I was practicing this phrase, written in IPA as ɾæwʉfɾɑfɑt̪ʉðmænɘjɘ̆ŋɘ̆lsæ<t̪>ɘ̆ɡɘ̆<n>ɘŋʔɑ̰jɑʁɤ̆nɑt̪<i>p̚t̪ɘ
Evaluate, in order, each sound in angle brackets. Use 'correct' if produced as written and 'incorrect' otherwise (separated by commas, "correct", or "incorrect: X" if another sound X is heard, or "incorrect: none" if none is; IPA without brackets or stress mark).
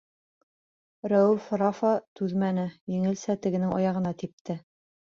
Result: correct, correct, correct